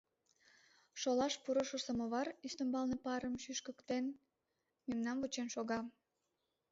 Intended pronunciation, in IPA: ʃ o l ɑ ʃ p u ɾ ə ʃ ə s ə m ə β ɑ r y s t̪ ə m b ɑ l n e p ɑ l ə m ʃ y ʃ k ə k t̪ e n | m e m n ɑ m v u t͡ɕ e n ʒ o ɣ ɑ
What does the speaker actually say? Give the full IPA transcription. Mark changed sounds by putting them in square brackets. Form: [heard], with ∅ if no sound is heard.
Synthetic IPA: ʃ o l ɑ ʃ p u ɾ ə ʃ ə s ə m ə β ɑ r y s t̪ ə m b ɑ l n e p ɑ [ɾ] ə m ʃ y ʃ k ə k t̪ e n | m e m n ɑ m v u t͡ɕ e n [ʃ] o ɣ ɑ